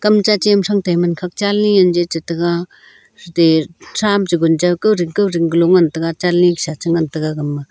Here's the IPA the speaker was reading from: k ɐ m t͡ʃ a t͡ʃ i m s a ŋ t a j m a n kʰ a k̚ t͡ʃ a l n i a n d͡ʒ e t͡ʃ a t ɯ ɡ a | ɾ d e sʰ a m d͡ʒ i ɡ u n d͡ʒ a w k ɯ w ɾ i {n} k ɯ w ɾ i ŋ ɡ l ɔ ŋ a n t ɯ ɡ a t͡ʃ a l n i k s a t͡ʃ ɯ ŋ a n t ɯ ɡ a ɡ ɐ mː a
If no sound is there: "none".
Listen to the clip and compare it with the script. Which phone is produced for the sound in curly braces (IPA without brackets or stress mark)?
ŋ